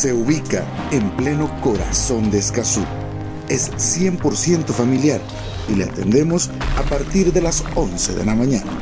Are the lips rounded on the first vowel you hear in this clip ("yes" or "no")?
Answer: no